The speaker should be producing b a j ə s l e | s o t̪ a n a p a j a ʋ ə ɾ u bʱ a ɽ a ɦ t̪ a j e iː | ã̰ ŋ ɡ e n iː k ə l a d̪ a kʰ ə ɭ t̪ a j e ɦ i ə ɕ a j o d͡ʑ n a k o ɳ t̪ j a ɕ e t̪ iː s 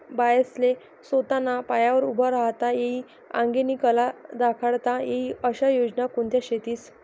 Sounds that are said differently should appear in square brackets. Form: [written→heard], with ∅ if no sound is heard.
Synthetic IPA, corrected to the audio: b a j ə s l e | s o t̪ a n a p a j a ʋ ə ɾ u bʱ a [ɽ→ɾ] a ɦ t̪ a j e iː | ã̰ ŋ ɡ e n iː k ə l a d̪ a kʰ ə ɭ t̪ a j e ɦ i ə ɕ a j o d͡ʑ n a k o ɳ t̪ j a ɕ e t̪ iː s

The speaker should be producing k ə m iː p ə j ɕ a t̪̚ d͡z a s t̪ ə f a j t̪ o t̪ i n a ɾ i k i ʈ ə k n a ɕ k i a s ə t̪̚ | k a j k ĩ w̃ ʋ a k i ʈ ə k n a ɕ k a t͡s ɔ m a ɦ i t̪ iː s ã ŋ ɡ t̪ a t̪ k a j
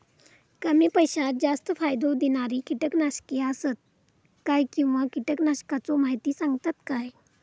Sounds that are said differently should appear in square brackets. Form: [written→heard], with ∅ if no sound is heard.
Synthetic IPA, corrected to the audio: k ə m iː p ə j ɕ a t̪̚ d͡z a s t̪ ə f a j [t̪→d̪] o [t̪→d̪] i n a ɾ i k i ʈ ə k n a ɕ k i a s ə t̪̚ | k a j k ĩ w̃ ʋ a k i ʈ ə k n a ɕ k a t͡s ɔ m a ɦ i t̪ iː s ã ŋ ɡ t̪ a t̪ k a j

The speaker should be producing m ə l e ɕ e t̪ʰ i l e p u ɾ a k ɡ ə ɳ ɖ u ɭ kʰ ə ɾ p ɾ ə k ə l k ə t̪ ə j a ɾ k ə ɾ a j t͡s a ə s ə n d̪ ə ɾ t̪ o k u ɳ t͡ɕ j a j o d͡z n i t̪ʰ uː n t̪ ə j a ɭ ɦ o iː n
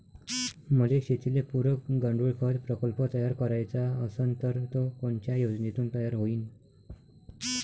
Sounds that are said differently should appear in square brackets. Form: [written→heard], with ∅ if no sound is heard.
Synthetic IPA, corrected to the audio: m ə l e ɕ e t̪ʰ i l e p u ɾ [a→ə] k ɡ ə ɳ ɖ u ɭ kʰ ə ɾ p ɾ ə k ə l [k→p] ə t̪ ə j a ɾ k ə ɾ a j t͡s a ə s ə n [d̪→t̪] ə ɾ t̪ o k [u→o] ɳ t͡ɕ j a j o d͡z n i [t̪ʰ→t̪] uː n t̪ ə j a [ɭ→ɾ] ɦ o iː n

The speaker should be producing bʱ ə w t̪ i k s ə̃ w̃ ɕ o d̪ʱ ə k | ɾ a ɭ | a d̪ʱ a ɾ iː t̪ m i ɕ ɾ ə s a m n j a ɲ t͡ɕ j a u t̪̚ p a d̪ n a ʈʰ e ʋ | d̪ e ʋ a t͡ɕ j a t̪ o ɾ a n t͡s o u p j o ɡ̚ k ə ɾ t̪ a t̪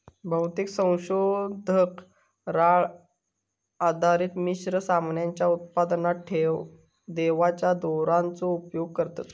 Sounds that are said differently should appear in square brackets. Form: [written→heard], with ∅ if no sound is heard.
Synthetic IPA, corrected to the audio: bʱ ə w t̪ i k s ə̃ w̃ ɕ o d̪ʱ ə k | ɾ a ɭ | a d̪ʱ a ɾ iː t̪ m i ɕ ɾ ə s a m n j a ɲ t͡ɕ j a u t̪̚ p a d̪ n a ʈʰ e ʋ | d̪ e ʋ a t͡ɕ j a [t̪→d̪] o ɾ a n t͡s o u p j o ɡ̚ k ə ɾ t̪ a t̪

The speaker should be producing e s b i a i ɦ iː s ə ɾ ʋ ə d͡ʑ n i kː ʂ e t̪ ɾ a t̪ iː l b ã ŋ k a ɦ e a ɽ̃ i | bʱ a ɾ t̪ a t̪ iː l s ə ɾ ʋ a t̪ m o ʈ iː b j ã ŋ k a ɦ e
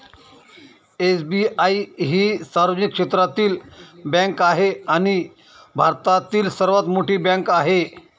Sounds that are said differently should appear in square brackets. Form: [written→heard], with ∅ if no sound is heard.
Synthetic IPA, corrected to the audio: e s b i a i ɦ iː s [ə→a] ɾ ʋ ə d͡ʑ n i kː ʂ e t̪ ɾ a t̪ iː l b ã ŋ k a ɦ e a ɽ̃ i | bʱ a ɾ t̪ a t̪ iː l s ə ɾ ʋ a t̪ m o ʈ iː b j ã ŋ k a ɦ e

